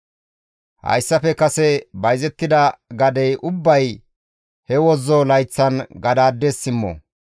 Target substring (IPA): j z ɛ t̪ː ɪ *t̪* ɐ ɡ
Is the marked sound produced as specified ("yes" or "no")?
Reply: no